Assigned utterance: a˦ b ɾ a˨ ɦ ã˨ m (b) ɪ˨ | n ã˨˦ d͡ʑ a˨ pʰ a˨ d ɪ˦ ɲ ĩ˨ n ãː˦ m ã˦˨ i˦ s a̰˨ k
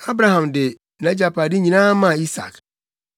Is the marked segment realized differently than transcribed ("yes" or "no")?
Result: yes